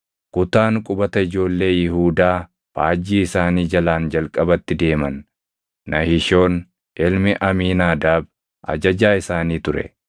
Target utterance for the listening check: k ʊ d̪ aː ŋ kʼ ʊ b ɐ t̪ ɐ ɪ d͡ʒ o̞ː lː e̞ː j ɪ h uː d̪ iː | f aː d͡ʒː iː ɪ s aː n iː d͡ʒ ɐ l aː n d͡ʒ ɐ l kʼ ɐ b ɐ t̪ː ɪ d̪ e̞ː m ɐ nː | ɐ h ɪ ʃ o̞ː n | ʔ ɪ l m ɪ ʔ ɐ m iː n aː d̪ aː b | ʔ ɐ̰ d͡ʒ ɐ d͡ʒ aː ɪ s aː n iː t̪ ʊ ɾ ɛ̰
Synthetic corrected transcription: k ʊ t̪ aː ŋ kʼ ʊ b ɐ t̪ ɐ ɪ d͡ʒ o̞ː lː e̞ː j ɪ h uː d̪ aː | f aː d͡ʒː iː ɪ s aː n iː d͡ʒ ɐ l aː n d͡ʒ ɐ l kʼ ɐ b ɐ t̪ː ɪ d̪ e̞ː m ɐ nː | ɐ h ɪ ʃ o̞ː n | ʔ ɪ l m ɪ ʔ ɐ m iː n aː d̪ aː b | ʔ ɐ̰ d͡ʒ ɐ d͡ʒ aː ɪ s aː n iː t̪ ʊ ɾ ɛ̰